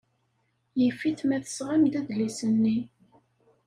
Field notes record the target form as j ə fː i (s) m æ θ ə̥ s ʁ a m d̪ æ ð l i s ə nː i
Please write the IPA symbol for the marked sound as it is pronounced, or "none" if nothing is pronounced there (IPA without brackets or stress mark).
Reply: θ